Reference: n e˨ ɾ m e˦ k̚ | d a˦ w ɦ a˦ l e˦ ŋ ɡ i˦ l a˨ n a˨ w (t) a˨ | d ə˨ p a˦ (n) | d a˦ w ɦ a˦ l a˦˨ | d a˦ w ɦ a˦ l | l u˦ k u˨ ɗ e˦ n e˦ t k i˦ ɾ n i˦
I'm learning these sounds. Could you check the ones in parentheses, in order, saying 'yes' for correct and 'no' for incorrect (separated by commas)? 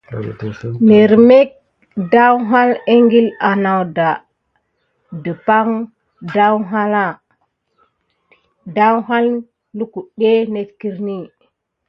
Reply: no, no